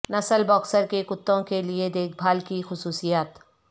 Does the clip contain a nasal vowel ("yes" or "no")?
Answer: yes